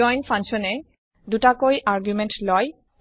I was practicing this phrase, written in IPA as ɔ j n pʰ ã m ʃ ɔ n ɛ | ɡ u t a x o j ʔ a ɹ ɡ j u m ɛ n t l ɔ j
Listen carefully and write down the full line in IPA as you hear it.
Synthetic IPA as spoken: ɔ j n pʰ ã ŋ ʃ ɔ n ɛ | d u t a k o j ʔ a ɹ ɡ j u m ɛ n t l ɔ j